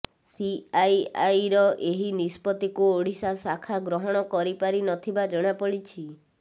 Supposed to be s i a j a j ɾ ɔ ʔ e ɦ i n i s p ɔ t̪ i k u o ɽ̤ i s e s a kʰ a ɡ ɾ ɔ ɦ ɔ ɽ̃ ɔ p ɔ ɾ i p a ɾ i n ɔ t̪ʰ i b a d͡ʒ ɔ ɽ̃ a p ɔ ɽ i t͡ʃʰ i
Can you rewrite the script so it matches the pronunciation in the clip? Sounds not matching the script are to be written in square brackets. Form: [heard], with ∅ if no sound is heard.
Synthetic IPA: s i a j a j ɾ ɔ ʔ e ɦ i n i s p ɔ t̪ i k u o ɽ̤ i s [a] s a kʰ a ɡ ɾ ɔ ɦ ɔ ɽ̃ ɔ [k] ɔ ɾ i p a ɾ i n ɔ t̪ʰ i b a d͡ʒ ɔ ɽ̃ a p ɔ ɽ i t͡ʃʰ i